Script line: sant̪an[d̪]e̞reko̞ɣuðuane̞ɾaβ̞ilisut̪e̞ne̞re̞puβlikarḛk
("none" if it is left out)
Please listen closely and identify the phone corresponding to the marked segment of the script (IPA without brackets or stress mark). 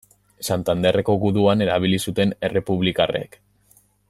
d̪